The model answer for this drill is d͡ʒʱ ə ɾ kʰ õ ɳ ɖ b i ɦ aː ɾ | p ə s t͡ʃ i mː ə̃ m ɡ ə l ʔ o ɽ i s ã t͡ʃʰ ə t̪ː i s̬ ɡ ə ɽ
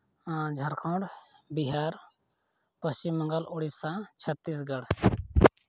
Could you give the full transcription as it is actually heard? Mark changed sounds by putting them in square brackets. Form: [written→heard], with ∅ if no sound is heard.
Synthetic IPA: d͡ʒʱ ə ɾ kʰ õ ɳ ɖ b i ɦ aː ɾ | p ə s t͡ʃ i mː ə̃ [m→ŋ] ɡ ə l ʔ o ɽ i s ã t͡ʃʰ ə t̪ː i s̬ ɡ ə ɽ